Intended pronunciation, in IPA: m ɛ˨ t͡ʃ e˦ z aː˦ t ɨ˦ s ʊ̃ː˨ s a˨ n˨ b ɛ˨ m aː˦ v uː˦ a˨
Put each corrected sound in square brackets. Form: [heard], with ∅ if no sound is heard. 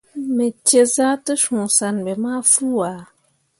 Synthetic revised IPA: m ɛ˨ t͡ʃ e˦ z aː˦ t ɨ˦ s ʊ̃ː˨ s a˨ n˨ b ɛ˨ m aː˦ [f] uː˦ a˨